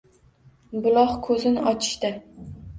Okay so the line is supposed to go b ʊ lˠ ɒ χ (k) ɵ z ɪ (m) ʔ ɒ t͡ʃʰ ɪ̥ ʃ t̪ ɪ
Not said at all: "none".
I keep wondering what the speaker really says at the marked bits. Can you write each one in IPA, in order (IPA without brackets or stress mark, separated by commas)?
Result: kʰ, n